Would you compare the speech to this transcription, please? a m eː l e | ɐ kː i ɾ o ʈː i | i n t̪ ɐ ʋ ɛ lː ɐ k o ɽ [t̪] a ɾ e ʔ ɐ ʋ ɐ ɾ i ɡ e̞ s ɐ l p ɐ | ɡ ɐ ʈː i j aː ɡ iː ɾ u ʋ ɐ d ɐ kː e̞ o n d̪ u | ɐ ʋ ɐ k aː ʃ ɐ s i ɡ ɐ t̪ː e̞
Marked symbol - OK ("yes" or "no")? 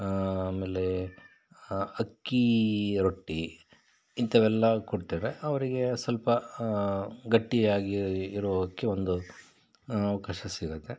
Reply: yes